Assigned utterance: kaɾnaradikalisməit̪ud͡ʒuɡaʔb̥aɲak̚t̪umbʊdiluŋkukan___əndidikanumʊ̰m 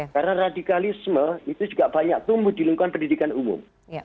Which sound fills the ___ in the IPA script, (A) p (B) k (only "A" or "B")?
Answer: A